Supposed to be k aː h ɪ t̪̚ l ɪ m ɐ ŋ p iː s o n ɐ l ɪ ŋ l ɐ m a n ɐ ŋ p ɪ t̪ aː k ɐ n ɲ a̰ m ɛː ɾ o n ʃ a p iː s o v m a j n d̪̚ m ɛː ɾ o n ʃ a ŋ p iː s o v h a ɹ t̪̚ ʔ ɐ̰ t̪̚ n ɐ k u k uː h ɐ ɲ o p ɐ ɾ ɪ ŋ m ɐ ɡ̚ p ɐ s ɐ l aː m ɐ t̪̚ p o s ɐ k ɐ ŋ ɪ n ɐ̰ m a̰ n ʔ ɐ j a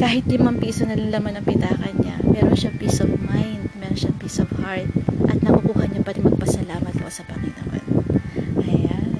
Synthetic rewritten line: k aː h ɪ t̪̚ l ɪ m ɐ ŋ p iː s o n ɐ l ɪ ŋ l ɐ m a n ɐ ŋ p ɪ t̪ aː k ɐ n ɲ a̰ m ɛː ɾ o n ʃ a p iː s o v m a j n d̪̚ m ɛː ɾ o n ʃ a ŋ p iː s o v h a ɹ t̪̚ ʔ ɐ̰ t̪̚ n ɐ k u k uː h ɐ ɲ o p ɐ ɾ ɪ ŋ m ɐ ɡ̚ p ɐ s ɐ l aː m ɐ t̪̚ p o s ɐ p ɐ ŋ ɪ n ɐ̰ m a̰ n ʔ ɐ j a